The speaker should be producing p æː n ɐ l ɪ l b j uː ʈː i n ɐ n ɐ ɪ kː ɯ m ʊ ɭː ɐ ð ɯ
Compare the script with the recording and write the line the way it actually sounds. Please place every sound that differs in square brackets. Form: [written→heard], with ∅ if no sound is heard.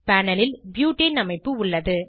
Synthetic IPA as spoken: p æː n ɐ l ɪ l b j uː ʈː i n ɐ [n→m] ɐ ɪ [kː→pː] ɯ [m→∅] ʊ ɭː ɐ ð ɯ